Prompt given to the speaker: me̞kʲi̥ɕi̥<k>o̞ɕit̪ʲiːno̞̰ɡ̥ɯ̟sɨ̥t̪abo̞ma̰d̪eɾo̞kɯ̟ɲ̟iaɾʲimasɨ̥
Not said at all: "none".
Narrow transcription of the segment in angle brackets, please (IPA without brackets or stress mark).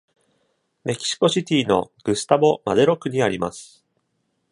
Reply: k